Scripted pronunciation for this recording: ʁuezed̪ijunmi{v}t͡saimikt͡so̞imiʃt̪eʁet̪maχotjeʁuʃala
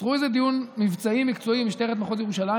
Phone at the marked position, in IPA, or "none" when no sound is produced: v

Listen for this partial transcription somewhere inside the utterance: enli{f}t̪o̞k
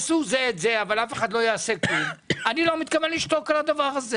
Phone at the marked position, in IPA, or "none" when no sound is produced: ʃ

